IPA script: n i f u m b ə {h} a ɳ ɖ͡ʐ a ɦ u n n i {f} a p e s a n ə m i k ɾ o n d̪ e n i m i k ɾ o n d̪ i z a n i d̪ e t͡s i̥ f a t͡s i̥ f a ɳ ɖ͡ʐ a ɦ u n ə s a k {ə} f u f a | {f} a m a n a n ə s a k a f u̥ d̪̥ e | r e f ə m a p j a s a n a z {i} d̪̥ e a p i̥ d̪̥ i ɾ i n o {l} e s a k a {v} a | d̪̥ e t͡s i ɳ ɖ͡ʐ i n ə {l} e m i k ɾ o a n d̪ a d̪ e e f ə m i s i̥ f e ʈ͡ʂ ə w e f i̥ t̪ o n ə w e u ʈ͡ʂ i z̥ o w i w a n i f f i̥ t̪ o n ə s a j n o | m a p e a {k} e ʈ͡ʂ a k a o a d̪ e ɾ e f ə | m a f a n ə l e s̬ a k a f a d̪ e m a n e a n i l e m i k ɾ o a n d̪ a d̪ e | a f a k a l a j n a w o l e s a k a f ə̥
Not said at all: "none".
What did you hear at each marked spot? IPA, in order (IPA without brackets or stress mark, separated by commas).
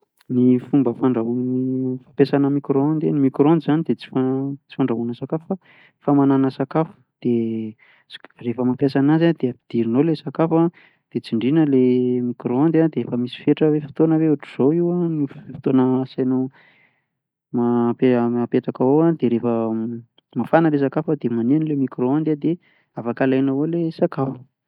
f, f, a, f, a, l, f, l, p